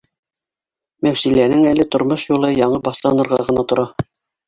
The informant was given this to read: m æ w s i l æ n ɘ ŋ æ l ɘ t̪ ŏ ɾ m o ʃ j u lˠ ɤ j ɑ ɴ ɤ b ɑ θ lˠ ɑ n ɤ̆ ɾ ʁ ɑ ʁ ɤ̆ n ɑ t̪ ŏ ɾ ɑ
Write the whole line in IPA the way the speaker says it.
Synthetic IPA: m æ w s i l æ n ɘ ŋ æ l ɘ t̪ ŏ ɾ m o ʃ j u lˠ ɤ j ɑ ɴ ɤ b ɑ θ lˠ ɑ n ɤ̆ ɾ ʁ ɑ ʁ ɤ̆ n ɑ t̪ ŏ ɾ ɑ